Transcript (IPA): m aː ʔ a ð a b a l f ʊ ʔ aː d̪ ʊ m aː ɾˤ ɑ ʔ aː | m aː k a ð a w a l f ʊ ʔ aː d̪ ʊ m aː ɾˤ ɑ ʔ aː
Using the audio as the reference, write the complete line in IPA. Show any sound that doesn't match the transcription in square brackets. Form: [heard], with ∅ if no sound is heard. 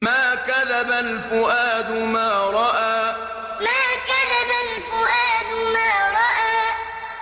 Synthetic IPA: m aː [k] a ð a b a l f ʊ ʔ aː d̪ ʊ m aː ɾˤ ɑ ʔ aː | m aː k a ð a [b] a l f ʊ ʔ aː d̪ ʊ m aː ɾˤ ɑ ʔ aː